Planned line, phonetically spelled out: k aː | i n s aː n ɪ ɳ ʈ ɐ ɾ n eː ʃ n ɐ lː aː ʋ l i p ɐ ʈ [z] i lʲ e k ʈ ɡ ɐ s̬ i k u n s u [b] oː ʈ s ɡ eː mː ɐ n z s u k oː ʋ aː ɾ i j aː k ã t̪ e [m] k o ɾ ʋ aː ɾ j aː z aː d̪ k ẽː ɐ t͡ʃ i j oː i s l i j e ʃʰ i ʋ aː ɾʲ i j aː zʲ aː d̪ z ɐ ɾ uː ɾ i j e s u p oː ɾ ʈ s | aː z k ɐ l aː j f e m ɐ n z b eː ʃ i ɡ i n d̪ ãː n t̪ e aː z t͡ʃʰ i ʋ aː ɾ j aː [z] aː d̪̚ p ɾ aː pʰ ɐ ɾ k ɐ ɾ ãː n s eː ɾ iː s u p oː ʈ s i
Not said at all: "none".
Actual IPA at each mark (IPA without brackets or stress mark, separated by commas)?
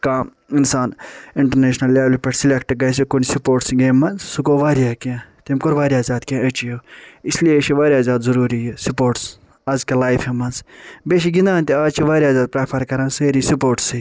s, p, m, z